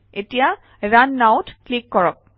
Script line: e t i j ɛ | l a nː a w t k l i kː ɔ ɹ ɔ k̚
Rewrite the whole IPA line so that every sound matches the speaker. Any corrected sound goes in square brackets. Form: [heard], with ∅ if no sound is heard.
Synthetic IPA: e t i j [a] | [ɹ] a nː a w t k l i kː ɔ ɹ ɔ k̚